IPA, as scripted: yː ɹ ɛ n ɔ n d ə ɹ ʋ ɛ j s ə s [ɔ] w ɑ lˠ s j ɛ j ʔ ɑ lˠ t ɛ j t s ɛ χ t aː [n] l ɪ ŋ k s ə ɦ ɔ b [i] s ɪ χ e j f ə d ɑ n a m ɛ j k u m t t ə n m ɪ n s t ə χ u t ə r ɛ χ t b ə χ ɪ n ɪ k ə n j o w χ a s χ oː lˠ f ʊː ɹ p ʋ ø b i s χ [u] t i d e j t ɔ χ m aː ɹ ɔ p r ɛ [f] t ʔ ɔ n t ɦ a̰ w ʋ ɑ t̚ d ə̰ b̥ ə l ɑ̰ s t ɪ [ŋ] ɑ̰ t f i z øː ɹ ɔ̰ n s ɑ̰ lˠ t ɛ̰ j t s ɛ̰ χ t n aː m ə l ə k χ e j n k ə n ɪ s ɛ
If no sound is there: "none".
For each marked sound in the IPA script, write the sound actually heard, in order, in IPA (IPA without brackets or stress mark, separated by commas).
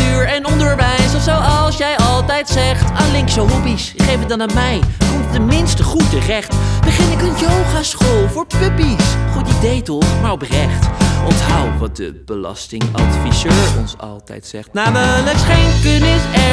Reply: o, n, i, u, χ, ŋ